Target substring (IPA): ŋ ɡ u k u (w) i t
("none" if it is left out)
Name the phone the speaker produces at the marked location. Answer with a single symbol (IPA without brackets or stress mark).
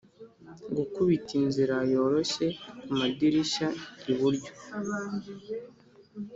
β